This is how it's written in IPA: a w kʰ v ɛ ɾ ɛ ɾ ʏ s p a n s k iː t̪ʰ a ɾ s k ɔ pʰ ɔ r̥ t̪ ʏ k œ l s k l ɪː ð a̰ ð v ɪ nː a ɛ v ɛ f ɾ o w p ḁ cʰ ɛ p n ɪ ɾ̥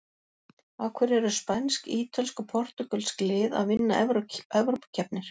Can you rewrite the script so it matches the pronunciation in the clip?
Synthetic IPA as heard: a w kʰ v ɛ ɾ ɛ ɾ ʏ s p a n s k iː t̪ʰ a l s k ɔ pʰ ɔ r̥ t̪ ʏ k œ l s k l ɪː ð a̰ ð v ɪ nː a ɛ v ɛ v ɾ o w p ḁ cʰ ɛ p n ɪ ɾ̥